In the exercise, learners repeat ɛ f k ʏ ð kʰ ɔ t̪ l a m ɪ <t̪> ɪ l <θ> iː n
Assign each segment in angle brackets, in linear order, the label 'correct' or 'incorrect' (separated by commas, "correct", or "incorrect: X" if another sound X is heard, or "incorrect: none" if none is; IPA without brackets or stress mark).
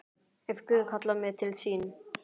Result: incorrect: t̪ʰ, incorrect: s